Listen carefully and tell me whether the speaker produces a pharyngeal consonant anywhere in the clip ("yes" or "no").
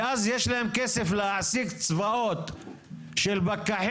yes